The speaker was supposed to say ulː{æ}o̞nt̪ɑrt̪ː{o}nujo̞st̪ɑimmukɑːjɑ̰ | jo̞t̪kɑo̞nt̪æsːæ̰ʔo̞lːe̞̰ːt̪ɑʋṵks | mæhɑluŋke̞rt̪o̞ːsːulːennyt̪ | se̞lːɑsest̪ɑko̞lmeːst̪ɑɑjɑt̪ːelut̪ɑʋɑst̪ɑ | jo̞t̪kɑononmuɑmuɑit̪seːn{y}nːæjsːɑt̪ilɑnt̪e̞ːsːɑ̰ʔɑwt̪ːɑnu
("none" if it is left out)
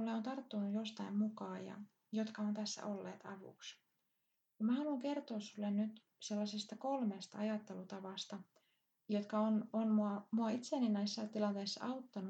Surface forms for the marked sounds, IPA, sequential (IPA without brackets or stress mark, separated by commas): e, u, i